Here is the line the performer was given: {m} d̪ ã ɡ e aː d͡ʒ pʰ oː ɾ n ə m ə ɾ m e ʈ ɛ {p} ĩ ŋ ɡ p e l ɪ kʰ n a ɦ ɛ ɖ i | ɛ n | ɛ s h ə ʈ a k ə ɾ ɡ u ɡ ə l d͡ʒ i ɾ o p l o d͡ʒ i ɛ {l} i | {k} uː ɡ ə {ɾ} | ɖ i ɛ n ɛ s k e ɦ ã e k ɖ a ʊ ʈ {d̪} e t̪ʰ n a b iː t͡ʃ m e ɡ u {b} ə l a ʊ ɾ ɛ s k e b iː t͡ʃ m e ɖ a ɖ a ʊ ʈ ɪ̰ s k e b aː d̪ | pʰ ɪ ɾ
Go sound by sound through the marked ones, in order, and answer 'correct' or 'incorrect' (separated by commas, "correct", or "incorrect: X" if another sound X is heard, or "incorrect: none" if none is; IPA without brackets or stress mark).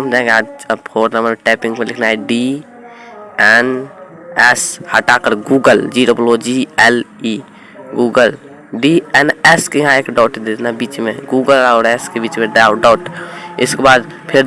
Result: correct, correct, correct, incorrect: ɡ, incorrect: l, correct, incorrect: ɡ